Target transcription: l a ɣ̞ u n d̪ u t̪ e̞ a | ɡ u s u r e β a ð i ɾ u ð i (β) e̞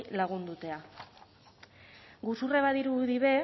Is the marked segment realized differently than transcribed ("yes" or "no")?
no